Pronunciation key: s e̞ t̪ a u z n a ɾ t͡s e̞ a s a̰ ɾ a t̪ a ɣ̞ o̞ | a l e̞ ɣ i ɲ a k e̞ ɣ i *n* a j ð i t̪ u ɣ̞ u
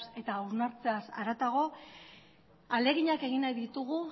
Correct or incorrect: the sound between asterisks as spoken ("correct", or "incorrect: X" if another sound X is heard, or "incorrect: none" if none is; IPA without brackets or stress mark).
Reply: correct